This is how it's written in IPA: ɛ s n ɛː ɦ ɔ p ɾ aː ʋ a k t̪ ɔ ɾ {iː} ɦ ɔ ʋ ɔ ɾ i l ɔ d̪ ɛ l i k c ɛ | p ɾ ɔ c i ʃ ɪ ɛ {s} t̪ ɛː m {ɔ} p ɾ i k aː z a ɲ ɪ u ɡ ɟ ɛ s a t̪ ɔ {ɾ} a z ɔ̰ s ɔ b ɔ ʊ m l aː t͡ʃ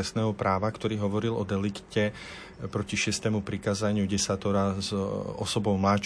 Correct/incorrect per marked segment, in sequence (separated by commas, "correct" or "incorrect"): correct, correct, incorrect, correct